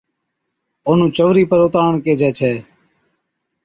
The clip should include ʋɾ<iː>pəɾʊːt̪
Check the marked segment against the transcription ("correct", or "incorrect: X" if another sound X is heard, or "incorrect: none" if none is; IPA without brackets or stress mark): correct